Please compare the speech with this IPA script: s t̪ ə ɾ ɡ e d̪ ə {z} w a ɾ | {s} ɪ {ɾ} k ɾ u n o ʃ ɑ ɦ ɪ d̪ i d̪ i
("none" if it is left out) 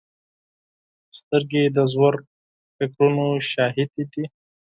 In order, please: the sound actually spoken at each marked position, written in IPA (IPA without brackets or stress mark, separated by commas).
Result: z, f, none